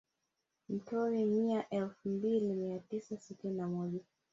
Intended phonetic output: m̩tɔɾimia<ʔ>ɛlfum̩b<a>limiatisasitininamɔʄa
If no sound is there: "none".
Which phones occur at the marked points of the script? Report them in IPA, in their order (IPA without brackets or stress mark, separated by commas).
ʔ, i